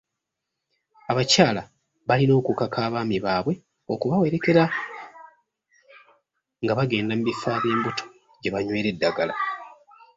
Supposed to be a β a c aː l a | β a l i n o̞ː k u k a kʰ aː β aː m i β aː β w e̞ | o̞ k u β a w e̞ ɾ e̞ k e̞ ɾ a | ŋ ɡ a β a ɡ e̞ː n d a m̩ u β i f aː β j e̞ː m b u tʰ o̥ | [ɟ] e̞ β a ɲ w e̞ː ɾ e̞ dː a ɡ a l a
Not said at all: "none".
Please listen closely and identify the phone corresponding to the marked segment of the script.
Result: ɟ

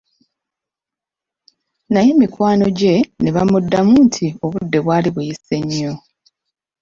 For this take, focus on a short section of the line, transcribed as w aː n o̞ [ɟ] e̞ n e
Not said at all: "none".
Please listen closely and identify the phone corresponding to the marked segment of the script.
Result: ɟ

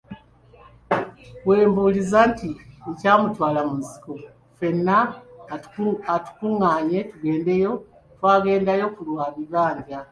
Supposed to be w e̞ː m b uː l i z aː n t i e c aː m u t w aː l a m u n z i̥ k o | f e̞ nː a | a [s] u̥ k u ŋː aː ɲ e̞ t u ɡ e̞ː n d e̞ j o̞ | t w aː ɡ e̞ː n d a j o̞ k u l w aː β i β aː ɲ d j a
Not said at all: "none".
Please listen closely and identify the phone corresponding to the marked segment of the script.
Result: t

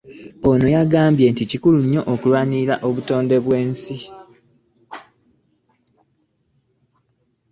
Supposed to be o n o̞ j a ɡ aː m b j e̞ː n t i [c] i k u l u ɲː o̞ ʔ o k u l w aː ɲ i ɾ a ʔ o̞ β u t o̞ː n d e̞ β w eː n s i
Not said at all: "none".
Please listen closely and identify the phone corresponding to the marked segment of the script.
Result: c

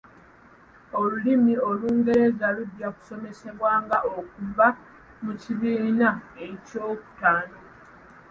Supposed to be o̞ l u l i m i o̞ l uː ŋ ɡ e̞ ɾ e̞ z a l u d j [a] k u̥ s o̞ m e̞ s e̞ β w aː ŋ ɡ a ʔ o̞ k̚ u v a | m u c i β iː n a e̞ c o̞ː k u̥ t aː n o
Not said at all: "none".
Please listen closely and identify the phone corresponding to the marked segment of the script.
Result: a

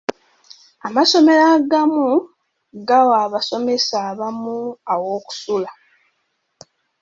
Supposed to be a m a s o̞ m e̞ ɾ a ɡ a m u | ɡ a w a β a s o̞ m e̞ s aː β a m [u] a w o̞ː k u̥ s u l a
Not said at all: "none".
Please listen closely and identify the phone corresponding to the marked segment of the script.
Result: u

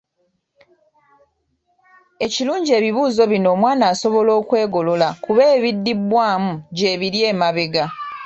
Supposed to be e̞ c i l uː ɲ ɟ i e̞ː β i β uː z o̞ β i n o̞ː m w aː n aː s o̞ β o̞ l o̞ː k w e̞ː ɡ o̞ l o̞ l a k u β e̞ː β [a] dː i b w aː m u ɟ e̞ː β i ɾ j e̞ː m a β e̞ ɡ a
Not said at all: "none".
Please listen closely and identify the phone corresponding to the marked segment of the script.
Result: i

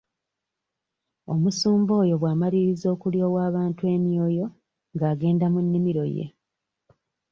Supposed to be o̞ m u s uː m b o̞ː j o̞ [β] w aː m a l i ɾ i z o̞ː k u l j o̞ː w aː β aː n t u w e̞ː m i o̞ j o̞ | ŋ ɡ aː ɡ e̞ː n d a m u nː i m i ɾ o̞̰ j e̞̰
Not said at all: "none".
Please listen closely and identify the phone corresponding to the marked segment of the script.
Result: β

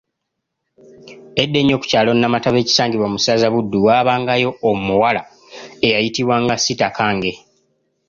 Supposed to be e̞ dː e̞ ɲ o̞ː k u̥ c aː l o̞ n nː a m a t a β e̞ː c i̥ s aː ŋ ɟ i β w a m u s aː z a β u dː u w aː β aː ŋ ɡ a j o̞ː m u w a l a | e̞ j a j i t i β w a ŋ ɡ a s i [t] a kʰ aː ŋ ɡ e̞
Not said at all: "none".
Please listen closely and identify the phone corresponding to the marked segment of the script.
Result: t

